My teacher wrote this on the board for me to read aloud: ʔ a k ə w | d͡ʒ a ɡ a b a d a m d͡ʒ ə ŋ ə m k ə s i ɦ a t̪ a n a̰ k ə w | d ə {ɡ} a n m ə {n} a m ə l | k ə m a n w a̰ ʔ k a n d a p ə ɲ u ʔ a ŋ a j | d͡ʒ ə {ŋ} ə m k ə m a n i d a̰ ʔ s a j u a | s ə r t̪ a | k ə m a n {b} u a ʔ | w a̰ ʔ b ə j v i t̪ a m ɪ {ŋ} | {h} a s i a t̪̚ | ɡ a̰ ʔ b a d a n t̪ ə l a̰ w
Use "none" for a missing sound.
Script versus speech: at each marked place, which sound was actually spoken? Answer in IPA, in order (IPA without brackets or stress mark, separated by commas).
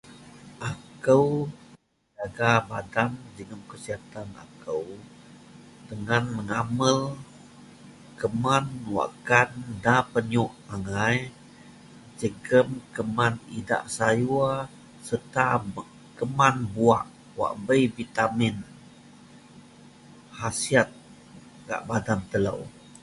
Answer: ŋ, ŋ, ɡ, b, n, h